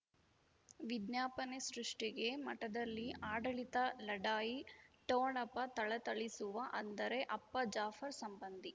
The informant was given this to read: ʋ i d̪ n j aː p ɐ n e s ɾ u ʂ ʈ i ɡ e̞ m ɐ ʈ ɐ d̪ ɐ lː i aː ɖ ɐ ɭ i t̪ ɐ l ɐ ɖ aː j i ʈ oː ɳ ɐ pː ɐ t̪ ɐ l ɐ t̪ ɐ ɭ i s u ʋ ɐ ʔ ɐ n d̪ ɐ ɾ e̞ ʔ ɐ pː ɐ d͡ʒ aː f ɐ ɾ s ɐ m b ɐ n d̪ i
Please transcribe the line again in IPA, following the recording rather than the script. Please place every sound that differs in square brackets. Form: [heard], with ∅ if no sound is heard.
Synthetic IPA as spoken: ʋ i d̪ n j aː p ɐ n e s ɾ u ʂ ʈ i ɡ e̞ m ɐ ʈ ɐ d̪ ɐ lː i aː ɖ ɐ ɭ i t̪ ɐ l ɐ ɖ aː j i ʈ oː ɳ ɐ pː ɐ t̪ ɐ [ɭ] ɐ t̪ ɐ ɭ i s u ʋ ɐ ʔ ɐ n d̪ ɐ ɾ e̞ ʔ ɐ pː ɐ d͡ʒ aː f ɐ ɾ s ɐ m b ɐ n d̪ i